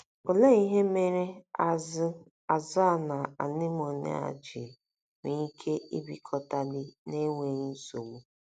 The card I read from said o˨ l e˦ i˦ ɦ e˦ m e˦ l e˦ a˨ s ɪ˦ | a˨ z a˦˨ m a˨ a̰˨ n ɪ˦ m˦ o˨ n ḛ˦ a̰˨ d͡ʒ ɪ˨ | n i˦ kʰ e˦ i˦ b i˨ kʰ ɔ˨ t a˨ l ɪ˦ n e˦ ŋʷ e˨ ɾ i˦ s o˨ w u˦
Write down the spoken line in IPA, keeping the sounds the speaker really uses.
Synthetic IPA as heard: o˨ l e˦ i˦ ɦ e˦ m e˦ ɾ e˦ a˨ z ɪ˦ | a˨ z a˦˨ n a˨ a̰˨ n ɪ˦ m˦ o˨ n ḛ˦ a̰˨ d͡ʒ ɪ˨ | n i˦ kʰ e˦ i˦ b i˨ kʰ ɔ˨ t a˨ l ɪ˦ n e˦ ŋʷ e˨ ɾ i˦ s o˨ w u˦